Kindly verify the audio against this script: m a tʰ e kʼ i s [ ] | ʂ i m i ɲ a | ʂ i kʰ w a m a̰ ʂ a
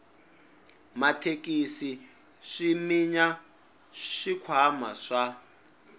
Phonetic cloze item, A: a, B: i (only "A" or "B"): B